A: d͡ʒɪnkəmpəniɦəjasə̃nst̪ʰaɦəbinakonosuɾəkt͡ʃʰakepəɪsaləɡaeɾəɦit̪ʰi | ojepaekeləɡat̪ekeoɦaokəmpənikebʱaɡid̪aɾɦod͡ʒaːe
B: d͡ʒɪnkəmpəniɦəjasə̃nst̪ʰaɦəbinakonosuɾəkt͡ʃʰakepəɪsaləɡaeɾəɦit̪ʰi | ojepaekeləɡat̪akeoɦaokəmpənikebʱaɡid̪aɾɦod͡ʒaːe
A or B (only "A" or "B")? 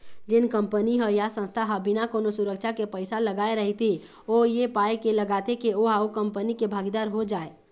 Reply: A